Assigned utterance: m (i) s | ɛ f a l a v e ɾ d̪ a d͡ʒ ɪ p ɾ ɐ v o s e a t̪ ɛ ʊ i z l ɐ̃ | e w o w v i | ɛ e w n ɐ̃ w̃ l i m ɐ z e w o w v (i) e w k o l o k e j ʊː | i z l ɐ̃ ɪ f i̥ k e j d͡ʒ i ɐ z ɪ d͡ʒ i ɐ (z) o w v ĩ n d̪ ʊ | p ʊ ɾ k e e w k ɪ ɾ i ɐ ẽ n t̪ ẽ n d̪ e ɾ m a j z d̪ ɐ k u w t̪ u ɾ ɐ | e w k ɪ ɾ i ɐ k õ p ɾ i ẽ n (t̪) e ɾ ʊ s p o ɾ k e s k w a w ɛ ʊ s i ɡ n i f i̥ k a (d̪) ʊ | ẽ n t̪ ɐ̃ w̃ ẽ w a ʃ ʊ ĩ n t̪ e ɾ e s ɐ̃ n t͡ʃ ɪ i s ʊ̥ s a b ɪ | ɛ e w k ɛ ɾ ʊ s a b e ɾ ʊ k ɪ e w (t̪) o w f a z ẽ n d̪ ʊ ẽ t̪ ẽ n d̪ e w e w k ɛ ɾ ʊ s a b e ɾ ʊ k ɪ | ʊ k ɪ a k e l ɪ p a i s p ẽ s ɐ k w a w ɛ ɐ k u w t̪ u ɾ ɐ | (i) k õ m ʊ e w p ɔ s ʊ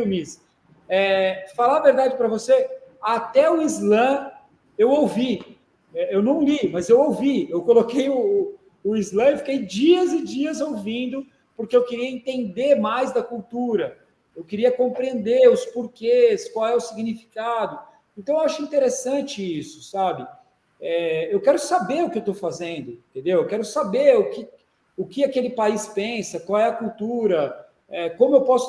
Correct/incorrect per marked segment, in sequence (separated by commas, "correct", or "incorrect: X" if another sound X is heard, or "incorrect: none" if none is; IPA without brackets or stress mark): correct, correct, correct, incorrect: d̪, correct, correct, incorrect: ɛ